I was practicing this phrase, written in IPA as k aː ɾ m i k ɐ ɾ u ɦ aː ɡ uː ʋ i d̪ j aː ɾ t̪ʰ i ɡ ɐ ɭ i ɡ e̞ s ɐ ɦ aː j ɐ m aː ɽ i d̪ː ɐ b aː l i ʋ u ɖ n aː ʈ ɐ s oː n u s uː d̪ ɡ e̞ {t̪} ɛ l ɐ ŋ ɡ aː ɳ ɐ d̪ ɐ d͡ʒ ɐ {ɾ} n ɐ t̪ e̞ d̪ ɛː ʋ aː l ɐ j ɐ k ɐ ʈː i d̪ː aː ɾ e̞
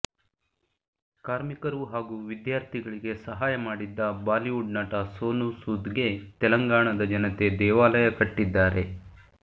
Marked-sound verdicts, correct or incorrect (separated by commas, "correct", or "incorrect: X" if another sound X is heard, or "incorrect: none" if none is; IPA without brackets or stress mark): correct, incorrect: none